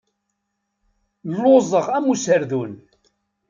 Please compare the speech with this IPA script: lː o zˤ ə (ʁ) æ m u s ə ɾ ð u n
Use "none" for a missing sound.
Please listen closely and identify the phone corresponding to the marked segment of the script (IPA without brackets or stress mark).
ʁ